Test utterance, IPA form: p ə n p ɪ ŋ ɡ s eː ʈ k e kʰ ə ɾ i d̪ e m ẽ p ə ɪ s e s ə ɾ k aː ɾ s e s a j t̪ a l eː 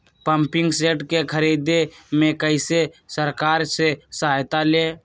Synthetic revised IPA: p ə m p ɪ ŋ ɡ s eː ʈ k e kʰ ə ɾ i d̪ e m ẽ k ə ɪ s e s ə ɾ k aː ɾ s e s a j t̪ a l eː

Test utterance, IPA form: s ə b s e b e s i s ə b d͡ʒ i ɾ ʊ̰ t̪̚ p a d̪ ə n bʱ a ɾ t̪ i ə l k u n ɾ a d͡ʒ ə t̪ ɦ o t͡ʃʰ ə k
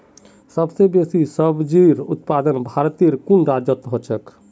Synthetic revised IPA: s ə b s e b e s i s ə b d͡ʒ i ɾ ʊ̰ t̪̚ p a d̪ ə n bʱ a ɾ t̪ i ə ɾ k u n ɾ a d͡ʒ ə t̪ ɦ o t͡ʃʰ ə k

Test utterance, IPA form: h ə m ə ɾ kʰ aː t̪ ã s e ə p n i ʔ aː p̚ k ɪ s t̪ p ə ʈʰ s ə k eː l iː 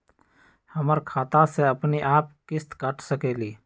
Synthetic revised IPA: h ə m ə ɾ kʰ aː t̪ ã s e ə p n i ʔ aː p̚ k ɪ s t̪ k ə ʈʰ s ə k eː l iː

